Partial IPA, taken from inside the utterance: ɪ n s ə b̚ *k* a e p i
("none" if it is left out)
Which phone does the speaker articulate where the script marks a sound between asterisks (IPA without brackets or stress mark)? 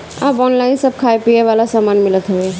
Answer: kʰ